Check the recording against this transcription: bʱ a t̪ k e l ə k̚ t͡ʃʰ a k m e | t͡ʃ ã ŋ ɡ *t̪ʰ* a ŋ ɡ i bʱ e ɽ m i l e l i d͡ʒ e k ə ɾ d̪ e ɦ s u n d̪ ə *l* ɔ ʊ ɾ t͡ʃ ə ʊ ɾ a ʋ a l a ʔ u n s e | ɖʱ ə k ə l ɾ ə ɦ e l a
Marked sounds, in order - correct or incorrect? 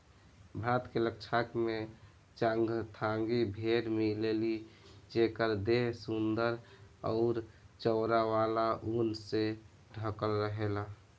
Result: correct, incorrect

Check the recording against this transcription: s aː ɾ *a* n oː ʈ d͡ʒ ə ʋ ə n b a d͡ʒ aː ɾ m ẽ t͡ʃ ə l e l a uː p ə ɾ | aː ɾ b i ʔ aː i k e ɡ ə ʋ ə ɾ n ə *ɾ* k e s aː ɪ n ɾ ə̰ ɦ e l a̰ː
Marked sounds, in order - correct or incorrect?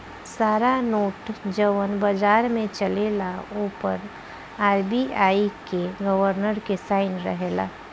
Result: correct, correct

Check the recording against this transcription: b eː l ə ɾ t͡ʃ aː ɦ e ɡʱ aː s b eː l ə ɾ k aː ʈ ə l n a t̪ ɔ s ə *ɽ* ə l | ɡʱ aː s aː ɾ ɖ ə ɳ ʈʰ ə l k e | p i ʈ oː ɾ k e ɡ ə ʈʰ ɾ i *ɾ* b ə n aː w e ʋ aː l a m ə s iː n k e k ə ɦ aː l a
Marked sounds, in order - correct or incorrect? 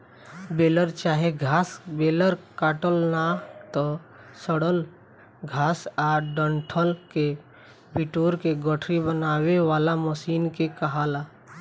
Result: correct, incorrect

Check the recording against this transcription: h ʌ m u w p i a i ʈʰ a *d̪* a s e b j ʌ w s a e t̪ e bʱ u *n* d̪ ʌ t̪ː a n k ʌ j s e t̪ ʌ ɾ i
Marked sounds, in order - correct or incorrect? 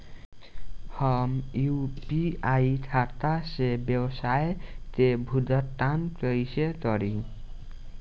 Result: incorrect, incorrect

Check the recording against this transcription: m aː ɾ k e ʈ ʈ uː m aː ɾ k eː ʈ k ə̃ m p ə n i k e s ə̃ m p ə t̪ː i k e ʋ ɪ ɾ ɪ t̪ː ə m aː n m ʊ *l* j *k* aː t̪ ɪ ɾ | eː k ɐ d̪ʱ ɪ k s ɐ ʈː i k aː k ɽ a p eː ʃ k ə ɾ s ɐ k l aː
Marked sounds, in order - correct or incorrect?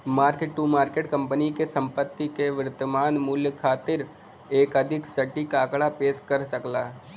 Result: correct, incorrect

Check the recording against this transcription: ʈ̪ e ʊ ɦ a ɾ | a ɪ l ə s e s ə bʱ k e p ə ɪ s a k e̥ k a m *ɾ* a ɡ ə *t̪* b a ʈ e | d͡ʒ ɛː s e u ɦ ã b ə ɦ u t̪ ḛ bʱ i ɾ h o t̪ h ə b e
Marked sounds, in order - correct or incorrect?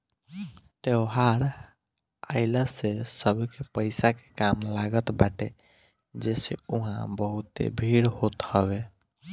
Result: incorrect, correct

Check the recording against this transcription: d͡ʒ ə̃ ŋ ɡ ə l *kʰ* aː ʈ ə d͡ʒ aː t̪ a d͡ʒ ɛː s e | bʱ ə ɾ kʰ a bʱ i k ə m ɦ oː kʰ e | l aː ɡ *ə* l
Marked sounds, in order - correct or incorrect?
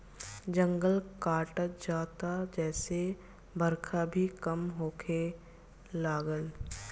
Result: incorrect, correct

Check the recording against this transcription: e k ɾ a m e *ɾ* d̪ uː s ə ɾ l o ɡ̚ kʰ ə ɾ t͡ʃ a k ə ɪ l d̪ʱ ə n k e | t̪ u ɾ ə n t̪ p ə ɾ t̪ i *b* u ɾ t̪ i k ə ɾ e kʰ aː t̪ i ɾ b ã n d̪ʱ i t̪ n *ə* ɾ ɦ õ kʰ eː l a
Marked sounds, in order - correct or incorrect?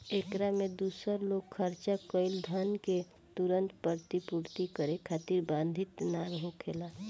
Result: incorrect, incorrect, incorrect

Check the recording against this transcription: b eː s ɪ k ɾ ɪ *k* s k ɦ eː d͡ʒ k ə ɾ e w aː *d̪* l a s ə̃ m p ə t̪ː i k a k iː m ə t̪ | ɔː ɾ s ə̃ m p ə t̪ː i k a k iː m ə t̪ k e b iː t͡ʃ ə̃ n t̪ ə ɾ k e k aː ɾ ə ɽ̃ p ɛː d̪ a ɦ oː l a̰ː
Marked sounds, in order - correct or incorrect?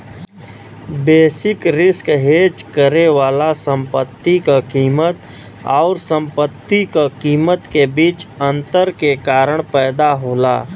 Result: incorrect, incorrect

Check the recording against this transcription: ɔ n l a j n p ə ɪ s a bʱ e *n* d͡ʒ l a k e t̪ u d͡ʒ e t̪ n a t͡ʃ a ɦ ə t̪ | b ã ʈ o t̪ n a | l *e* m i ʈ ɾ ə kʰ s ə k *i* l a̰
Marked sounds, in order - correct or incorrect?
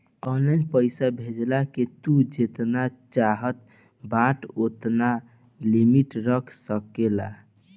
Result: incorrect, incorrect, incorrect

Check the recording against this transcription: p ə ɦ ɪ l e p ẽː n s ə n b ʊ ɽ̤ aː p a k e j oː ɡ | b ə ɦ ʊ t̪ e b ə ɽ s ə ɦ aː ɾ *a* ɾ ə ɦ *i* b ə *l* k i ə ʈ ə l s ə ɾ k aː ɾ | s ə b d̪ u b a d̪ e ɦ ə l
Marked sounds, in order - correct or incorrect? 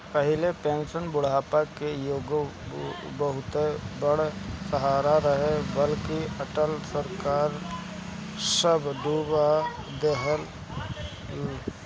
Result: correct, incorrect, correct

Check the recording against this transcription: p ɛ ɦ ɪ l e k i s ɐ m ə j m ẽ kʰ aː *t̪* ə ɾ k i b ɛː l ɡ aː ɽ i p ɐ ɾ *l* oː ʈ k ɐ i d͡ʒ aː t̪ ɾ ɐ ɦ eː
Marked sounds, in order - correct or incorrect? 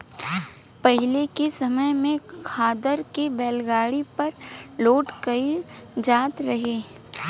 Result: incorrect, correct

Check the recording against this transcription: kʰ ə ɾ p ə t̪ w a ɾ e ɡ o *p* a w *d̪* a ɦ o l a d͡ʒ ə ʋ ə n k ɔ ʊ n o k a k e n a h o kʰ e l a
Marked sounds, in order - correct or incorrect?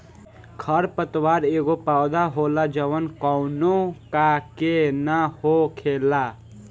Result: correct, correct

